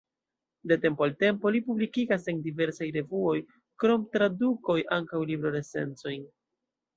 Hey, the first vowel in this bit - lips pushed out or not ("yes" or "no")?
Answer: no